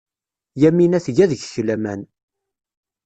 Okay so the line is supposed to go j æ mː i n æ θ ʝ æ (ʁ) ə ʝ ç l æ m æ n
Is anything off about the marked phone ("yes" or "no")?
yes